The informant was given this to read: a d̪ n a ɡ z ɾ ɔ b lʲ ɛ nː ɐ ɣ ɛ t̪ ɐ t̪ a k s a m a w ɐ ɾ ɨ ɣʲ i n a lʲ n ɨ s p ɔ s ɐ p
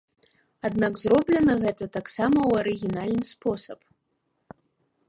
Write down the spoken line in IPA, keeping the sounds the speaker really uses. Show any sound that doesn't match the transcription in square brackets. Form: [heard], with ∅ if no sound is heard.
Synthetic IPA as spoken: a d̪ n a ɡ z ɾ ɔ b lʲ ɛ [n] ɐ ɣ ɛ t̪ ɐ t̪ a k s a m [ɐ] w ɐ ɾ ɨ ɣʲ i n a lʲ n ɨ s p ɔ s ɐ p